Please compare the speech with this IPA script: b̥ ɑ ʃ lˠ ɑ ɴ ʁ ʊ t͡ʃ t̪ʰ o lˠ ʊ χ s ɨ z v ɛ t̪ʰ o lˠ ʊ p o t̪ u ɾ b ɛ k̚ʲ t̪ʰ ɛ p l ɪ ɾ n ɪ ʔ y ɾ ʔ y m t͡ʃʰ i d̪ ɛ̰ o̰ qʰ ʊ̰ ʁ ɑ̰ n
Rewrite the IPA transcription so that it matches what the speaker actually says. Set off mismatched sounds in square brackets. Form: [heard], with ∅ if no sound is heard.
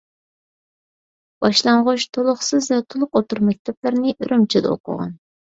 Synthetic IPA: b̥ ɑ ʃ lˠ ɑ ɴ ʁ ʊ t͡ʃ t̪ʰ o lˠ ʊ χ s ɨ z v ɛ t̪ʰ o lˠ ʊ [q] o t̪ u ɾ [m] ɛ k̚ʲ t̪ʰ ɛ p l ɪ ɾ n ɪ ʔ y ɾ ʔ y m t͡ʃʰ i d̪ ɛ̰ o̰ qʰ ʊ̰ ʁ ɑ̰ n